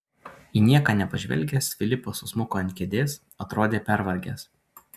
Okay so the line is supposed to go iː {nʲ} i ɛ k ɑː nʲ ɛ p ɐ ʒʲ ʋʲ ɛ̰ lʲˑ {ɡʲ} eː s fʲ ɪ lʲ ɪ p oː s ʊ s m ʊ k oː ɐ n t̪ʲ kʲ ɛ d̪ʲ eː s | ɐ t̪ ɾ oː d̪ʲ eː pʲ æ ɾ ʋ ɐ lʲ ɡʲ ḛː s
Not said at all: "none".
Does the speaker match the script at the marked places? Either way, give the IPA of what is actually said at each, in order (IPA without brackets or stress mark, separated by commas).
nʲ, ɡʲ